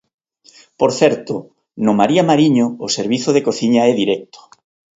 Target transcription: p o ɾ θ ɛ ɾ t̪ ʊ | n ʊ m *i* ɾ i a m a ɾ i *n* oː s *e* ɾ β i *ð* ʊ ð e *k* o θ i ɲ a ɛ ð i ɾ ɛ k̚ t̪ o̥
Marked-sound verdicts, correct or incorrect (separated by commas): incorrect, incorrect, correct, incorrect, correct